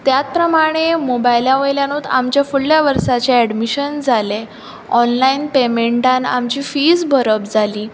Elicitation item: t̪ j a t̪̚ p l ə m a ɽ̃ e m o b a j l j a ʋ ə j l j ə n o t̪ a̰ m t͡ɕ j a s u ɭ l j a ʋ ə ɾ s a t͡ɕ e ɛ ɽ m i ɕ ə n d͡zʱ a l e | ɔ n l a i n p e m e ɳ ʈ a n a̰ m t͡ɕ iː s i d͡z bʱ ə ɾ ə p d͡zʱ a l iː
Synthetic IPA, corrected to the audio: t̪ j a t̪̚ p ɾ ə m a ɽ̃ e m o b a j l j a ʋ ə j l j a n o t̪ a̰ m t͡ɕ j a f u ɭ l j a ʋ ə ɾ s a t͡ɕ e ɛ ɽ m i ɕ ə n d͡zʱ a l e | ɔ n l a i n p e m e ɳ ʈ a n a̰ m t͡ɕ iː f i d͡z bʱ ə ɾ ə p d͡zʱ a l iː